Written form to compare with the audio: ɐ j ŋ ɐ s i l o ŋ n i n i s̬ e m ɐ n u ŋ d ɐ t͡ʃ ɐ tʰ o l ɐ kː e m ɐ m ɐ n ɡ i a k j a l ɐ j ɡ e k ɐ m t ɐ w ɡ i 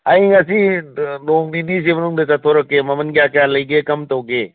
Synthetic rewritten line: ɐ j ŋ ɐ s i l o ŋ n i n i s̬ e m ɐ n u ŋ d ɐ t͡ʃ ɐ tʰ o ɾ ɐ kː e m ɐ m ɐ n ɡ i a k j a l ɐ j ɡ e k ɐ m t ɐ w ɡ e